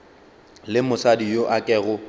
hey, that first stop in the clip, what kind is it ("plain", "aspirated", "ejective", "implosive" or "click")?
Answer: plain